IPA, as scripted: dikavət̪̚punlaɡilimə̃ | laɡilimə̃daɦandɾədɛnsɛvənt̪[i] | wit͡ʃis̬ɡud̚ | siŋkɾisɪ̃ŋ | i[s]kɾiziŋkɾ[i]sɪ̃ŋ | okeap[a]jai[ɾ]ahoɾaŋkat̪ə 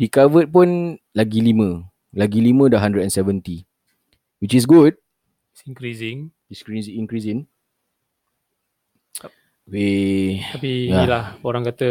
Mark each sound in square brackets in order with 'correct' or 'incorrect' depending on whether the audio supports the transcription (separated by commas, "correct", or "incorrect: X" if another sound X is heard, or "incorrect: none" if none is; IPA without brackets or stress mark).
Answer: correct, correct, correct, incorrect: i, incorrect: l